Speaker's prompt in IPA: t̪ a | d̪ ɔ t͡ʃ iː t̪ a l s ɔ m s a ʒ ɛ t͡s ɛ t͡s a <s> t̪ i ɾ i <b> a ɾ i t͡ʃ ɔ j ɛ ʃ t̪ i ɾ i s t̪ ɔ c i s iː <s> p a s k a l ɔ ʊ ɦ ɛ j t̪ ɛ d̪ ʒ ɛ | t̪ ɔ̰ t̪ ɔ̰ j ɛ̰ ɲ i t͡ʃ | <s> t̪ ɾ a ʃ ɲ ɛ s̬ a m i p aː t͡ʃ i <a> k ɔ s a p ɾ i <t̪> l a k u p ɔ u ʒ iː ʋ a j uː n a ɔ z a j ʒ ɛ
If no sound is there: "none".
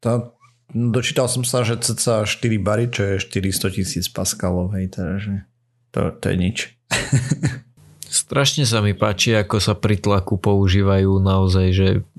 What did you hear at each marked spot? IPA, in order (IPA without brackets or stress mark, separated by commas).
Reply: ʃ, b, t͡s, s, a, t̪